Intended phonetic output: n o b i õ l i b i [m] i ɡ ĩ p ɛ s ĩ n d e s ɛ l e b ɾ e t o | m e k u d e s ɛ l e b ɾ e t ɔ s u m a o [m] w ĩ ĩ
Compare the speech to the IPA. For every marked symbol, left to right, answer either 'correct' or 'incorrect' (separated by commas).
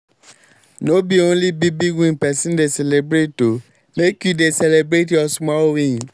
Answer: incorrect, incorrect